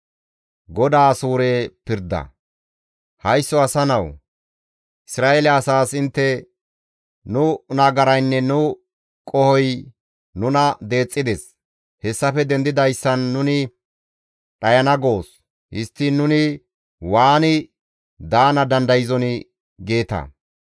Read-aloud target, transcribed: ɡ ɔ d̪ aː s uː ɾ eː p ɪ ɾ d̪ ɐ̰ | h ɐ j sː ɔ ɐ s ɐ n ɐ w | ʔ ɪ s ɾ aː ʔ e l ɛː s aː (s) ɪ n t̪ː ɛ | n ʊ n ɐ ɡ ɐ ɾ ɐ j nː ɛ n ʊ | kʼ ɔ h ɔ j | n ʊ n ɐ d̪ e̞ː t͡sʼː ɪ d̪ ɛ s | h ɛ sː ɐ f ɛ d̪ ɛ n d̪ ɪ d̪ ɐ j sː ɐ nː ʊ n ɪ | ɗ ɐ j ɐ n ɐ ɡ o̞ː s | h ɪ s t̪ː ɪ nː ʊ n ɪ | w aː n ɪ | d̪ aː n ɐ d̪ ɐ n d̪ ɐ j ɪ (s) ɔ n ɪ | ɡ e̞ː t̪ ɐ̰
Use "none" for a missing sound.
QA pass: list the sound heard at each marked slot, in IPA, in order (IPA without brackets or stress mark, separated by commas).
s, z